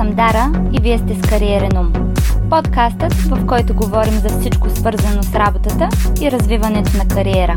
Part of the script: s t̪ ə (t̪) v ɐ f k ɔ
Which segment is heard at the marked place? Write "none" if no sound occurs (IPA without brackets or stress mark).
t̪